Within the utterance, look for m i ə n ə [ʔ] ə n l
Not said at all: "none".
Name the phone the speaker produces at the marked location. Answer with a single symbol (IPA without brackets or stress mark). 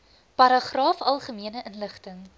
ʔ